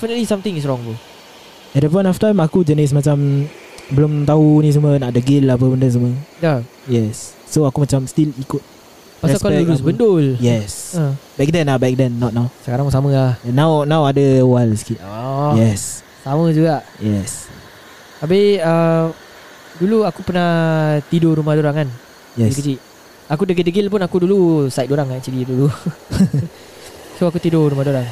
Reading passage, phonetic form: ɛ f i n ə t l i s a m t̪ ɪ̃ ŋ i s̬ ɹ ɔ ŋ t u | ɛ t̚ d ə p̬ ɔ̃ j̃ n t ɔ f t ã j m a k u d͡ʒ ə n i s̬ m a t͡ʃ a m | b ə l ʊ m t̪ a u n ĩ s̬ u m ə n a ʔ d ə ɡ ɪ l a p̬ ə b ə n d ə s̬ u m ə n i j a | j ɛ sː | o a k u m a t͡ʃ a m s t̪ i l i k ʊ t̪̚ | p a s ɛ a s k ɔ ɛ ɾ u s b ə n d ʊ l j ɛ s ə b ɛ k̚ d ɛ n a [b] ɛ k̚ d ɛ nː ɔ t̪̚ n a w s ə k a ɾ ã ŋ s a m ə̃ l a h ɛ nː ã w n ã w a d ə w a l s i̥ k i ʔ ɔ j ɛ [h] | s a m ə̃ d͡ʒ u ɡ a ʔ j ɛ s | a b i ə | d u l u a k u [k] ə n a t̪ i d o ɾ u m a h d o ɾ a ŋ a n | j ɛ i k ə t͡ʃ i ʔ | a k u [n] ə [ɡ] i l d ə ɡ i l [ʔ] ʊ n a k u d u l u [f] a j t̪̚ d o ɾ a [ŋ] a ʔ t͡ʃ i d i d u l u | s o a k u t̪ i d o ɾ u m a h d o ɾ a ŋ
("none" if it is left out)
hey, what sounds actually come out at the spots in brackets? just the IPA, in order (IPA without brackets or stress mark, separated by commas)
b, s, p, d, ɡ, p, s, ŋ